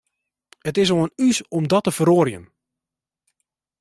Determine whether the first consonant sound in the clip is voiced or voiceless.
voiceless